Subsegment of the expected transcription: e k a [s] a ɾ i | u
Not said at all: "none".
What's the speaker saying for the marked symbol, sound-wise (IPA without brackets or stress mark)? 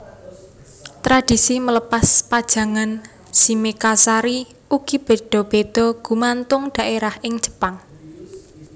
s